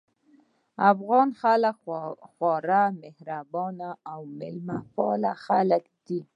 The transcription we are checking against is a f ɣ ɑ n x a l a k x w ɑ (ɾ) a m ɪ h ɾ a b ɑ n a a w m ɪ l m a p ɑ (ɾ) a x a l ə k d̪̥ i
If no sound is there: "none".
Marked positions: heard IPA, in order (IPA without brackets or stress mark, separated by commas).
ɾ, l